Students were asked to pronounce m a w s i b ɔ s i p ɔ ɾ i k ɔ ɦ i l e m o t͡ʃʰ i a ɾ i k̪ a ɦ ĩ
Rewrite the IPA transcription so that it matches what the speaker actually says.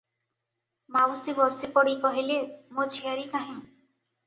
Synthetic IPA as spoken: m a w s i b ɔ s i p ɔ ɽ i k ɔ ɦ i l e m o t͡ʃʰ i a ɾ i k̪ a ɦ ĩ

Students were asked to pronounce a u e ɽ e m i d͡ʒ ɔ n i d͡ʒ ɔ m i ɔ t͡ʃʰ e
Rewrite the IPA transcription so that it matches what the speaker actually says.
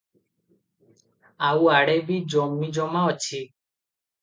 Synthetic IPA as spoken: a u a ɽ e b i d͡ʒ ɔ m i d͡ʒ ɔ m a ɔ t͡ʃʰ i

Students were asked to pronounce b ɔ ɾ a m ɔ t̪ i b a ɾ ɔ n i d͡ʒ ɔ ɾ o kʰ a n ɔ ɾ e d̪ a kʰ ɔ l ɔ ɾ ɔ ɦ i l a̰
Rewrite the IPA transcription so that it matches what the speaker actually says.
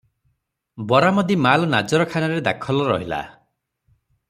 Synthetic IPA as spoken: b ɔ ɾ a m ɔ d̪ i m a l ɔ n a d͡ʒ ɔ ɾ ɔ kʰ a n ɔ ɾ e d̪ a kʰ ɔ l ɔ ɾ ɔ ɦ i l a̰

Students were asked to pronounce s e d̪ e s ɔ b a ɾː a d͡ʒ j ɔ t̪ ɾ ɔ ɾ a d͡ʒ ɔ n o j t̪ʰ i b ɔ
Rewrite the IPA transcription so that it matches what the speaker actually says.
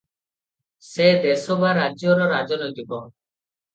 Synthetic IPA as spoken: s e d̪ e s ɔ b a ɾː a d͡ʒ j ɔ ɾ ɔ ɾ a d͡ʒ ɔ n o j t̪ i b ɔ

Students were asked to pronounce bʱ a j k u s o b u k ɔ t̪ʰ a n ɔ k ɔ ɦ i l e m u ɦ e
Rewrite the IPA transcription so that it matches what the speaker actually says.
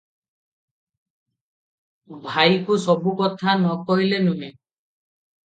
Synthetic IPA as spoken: bʱ a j k u s ɔ b u k ɔ t̪ʰ a n ɔ k ɔ ɦ i l e n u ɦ e

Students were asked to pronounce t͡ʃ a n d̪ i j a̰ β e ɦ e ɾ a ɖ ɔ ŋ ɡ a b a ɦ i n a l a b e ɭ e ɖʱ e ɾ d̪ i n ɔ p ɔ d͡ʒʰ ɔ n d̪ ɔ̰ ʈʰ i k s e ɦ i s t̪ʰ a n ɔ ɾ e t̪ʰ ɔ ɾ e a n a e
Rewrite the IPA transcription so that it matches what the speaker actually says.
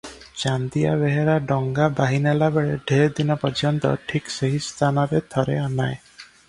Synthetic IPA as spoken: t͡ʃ a n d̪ i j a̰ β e ɦ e ɾ a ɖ ɔ ŋ ɡ a b a ɦ i n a l a b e ɭ e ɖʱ e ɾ d̪ i n ɔ p ɔ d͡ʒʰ ɔ n t̪ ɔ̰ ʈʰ i k s e ɦ i s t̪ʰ a n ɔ ɾ e t̪ʰ ɔ ɾ e a n a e

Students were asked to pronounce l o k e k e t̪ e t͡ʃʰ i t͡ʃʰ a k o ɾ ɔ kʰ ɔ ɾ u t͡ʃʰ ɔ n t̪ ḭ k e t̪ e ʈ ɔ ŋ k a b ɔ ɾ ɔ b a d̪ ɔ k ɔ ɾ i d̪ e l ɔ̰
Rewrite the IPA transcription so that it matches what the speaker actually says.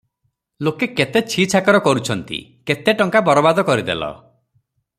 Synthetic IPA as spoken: l o k e k e t̪ e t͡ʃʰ i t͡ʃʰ a k ɔ ɾ ɔ k ɔ ɾ u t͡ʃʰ ɔ n t̪ ḭ k e t̪ e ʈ ɔ ŋ k a b ɔ ɾ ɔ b a d̪ ɔ k ɔ ɾ i d̪ e l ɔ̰

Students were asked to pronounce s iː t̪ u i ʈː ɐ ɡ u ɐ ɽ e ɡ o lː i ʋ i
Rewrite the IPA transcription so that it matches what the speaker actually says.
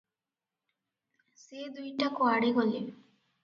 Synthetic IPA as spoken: s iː d̪ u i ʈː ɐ k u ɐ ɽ i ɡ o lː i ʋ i

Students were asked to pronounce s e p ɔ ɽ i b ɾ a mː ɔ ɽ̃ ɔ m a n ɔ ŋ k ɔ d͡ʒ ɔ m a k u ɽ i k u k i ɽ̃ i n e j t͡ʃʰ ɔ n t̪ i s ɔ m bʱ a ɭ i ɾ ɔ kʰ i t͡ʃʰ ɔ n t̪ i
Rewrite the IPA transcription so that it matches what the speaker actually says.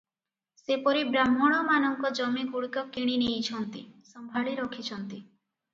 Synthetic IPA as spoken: s e p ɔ ɾ i b ɾ a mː ɔ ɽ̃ ɔ m a n ɔ ŋ k ɔ d͡ʒ ɔ m i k u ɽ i k ɔ k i ɽ̃ i n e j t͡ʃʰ ɔ n t̪ i s ɔ m bʱ a ɭ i ɾ ɔ kʰ i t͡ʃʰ ɔ n t̪ i

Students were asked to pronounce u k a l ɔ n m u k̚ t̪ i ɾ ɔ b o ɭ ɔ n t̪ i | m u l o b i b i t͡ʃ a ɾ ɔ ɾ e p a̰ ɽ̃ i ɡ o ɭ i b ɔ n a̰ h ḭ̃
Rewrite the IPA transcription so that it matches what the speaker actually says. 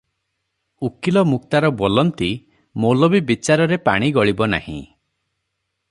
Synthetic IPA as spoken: u k i l ɔ m u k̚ t̪ a ɾ ɔ b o l ɔ n t̪ i | m o l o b i b i t͡ʃ a ɾ ɔ ɾ e p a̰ ɽ̃ i ɡ ɔ ɭ i b ɔ n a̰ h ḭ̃

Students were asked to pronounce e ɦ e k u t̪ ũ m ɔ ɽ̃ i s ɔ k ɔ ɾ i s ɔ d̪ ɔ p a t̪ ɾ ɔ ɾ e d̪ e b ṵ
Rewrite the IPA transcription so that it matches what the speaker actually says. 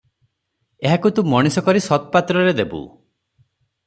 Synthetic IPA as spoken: e ɦ a k u t̪ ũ m ɔ ɽ̃ i s ɔ k ɔ ɾ i s ɔ t̪ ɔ p a t̪ ɾ ɔ ɾ e d̪ e b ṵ

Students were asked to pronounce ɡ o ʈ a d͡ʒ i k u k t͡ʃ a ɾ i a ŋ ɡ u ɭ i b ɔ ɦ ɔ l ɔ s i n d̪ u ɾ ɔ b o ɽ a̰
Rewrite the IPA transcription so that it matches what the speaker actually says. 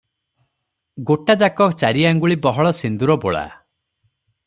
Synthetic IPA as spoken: ɡ o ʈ a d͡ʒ a k ɔ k t͡ʃ a ɾ i a ŋ ɡ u ɭ i b ɔ ɦ ɔ ɭ ɔ s i n d̪ u ɾ ɔ b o ɭ a̰

